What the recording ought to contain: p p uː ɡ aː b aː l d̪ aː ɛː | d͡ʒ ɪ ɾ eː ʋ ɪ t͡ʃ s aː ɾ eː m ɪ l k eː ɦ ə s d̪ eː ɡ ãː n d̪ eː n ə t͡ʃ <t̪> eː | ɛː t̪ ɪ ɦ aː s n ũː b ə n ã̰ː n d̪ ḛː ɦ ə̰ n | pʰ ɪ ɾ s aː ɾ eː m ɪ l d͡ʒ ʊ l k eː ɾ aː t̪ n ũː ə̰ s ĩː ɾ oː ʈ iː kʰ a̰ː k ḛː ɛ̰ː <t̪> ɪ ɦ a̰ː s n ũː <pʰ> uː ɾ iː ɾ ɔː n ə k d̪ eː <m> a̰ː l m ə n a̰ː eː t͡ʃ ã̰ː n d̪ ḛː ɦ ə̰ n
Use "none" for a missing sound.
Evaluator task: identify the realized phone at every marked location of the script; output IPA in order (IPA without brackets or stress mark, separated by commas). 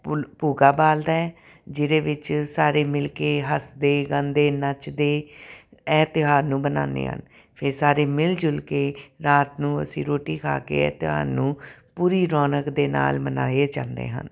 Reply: d̪, t̪, p, n